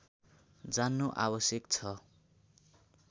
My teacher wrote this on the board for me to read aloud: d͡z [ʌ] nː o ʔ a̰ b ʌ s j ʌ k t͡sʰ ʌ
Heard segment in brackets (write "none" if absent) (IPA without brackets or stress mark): a